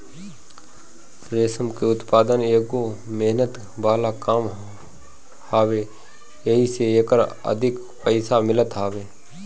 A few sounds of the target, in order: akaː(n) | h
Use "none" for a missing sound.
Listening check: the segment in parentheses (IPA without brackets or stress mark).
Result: m